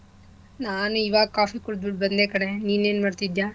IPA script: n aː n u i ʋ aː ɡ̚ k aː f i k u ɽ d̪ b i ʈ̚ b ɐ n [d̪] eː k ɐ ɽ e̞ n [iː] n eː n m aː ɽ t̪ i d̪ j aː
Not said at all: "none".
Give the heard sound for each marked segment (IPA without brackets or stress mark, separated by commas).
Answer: d̪, iː